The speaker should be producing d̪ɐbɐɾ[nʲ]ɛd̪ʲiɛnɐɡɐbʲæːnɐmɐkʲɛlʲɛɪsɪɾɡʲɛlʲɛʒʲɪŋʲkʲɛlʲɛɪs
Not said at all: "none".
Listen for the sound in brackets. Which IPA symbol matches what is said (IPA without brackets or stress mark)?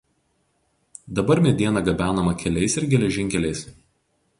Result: mʲ